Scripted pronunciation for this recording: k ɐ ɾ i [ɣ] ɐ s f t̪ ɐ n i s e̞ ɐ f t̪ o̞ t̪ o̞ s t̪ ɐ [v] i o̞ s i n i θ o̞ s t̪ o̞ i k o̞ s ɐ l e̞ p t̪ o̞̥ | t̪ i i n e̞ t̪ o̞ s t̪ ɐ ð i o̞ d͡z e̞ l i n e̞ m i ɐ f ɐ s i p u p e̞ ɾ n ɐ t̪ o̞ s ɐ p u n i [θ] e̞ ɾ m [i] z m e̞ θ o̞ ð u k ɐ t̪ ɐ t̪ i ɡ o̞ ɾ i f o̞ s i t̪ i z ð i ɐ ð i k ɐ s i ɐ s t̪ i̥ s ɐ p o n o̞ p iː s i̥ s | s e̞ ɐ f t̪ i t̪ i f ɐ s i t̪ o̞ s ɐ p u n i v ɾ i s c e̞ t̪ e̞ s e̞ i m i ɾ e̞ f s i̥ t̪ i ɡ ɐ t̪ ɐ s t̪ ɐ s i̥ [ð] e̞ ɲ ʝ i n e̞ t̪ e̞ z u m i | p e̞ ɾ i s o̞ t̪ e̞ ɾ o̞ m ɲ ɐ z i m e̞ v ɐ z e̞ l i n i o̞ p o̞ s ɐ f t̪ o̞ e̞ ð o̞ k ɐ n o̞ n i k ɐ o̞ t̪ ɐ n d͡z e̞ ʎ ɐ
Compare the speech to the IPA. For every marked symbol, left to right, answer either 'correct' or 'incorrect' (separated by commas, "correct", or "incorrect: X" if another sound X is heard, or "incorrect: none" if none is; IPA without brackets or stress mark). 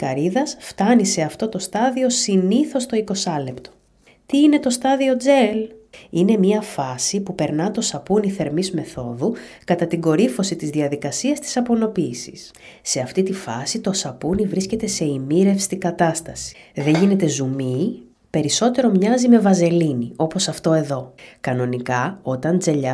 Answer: incorrect: ð, incorrect: ð, correct, correct, correct